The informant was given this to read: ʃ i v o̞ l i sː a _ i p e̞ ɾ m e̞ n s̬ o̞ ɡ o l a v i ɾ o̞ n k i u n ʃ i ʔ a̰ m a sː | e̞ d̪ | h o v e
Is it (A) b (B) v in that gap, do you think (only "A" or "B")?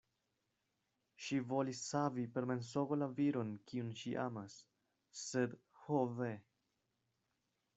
B